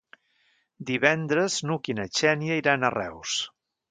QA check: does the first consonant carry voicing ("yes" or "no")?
yes